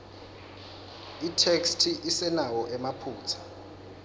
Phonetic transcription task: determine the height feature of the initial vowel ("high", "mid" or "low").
high